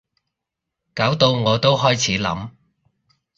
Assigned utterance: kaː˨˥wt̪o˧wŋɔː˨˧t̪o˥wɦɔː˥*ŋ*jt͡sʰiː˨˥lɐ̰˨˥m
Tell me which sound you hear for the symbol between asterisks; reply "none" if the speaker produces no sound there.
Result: none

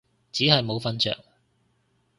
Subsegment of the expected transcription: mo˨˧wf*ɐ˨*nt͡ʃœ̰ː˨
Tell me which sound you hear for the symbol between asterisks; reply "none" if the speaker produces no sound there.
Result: ɐ˥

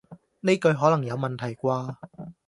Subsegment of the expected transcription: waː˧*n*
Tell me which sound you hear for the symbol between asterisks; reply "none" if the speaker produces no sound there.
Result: none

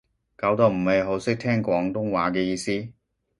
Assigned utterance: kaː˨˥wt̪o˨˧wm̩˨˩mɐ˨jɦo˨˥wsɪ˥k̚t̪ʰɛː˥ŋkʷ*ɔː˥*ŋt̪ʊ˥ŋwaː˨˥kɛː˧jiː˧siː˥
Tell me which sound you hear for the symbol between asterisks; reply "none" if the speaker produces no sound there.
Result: ɔː˨˥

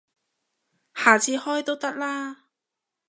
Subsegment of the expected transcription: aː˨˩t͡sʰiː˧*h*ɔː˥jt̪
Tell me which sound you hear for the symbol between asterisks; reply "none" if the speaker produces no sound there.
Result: h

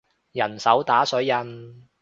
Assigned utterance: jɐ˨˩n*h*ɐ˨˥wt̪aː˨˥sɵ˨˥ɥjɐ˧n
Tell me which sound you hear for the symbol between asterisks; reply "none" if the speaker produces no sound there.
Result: s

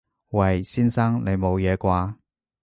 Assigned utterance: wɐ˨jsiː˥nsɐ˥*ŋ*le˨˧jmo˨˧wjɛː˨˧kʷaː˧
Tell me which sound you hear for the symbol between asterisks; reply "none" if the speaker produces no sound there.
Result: ŋ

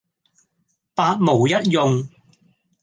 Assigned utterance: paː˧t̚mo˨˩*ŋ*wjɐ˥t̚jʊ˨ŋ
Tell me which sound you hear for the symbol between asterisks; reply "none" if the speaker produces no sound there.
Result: none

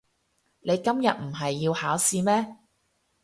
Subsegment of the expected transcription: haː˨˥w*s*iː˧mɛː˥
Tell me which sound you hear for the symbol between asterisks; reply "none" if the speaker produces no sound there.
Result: s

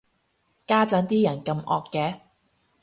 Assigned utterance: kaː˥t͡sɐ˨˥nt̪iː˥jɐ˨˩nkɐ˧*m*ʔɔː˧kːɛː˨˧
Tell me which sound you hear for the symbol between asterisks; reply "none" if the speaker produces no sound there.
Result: m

